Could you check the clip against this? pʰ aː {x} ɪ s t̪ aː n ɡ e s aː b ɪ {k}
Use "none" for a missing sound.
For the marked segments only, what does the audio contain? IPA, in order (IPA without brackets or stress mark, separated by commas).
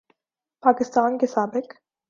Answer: k, k